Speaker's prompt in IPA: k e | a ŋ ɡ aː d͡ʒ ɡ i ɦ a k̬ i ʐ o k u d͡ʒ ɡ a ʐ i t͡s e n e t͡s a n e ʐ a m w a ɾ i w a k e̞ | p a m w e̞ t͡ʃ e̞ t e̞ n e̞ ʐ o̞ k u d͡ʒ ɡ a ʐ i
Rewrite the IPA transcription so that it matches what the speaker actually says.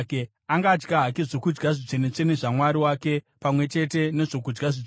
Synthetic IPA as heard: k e | a ŋ ɡ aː d͡ʒ ɡ a ɦ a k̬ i ʐ o k u d͡ʒ ɡ a ʐ i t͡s e n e t͡s e n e ʐ a m w a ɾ i w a k e̞ | p a m w e̞ t͡ʃ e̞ t e̞ n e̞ ʐ o̞ k u d͡ʒ ɡ a ʐ i

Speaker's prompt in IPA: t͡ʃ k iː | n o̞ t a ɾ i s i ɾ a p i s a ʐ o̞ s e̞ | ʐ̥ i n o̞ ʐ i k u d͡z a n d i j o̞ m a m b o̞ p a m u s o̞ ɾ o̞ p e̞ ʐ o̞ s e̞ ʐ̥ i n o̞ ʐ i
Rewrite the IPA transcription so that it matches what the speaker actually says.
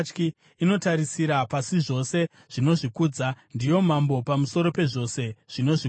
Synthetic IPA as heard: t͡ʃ k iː | n o̞ t a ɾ i s i ɾ a p a s i ʐ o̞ s e̞ | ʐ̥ i n o̞ ʐ i k u d͡z a n d i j o̞ m a m b o̞ p a m u s o̞ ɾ o̞ p e̞ ʐ o̞ s e̞ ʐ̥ i n o̞ ʐ i

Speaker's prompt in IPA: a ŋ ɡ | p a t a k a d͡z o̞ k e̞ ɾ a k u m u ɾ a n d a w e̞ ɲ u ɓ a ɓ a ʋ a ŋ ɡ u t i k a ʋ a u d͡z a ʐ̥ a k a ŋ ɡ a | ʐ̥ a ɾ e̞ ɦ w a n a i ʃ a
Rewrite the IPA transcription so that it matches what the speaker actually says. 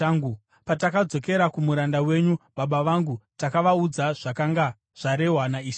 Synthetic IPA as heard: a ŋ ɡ | p a t a k a d͡z o̞ k e̞ ɾ a k u m u ɾ a n d a w e̞ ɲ u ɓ a ɓ a ʋ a ŋ ɡ u t a k a ʋ a u d͡z a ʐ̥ a k a ŋ ɡ a | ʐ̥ a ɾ e̞ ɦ w a n a i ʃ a

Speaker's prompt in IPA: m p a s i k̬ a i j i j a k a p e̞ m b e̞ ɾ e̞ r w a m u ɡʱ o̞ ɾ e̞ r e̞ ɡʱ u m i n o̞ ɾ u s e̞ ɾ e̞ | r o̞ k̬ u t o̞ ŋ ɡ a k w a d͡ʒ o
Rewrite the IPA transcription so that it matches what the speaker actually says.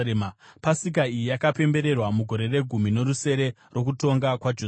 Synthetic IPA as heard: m p a s i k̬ a i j i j a k a p e̞ m b e̞ ɾ e̞ r w a m u ɡʱ o̞ ɾ e̞ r e̞ ɡʱ u m i n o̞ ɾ u s e̞ ɾ e̞ | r o̞ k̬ u t o̞ ŋ ɡ a k w a d͡ʒ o

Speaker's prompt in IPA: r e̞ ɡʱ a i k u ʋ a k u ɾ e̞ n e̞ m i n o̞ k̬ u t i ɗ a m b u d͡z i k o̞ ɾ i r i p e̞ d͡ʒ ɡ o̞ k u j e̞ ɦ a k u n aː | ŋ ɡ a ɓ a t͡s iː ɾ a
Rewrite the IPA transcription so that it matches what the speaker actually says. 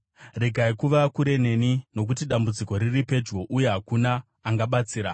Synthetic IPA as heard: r e̞ ɡʱ a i k u ʋ a k u ɾ e̞ n e̞ n i n o̞ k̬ u t i ɗ a m b u d͡z i k o̞ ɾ i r i p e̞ d͡ʒ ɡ o̞ ʔ u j e̞ ɦ a k u n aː | ŋ ɡ a ɓ a t͡s iː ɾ a

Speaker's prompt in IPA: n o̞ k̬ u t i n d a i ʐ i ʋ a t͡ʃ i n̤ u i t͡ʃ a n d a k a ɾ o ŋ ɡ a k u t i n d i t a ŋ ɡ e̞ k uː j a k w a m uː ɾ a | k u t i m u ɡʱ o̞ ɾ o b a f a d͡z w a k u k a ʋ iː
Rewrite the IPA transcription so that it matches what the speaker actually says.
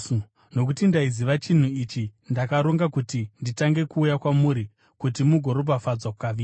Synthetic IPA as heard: n o̞ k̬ u t i n d a i z i ʋ a t͡ʃ i n̤ u i t͡ʃ i n d a k a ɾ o ŋ ɡ a k u t i n d i t a ŋ ɡ e̞ k uː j a k w a m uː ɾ i | k u t i m u ɡʱ o̞ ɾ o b a f a d͡z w a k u k a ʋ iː

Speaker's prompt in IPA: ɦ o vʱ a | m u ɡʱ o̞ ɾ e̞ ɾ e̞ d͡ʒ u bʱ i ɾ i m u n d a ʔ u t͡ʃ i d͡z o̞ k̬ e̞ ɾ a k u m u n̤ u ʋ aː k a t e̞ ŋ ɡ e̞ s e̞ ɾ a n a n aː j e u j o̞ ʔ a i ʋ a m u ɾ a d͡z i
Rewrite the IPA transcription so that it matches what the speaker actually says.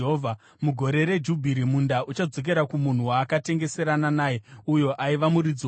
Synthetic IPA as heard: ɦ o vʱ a | m u ɡʱ o̞ ɾ e̞ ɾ e̞ d͡ʒ u bʱ i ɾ i m u n d a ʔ u t͡ʃ a d͡z o̞ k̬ e̞ ɾ a k u m u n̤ u w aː k a t e̞ ŋ ɡ e̞ s e̞ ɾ a n a n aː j e u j o̞ ʔ a i ʋ a m u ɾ i d͡z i

